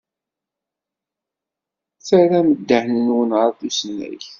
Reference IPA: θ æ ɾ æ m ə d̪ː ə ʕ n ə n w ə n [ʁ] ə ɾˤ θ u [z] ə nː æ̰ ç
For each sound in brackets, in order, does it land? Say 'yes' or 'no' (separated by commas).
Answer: yes, no